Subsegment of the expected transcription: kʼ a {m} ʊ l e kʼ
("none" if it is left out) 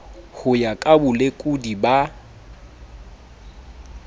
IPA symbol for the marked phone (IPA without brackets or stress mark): b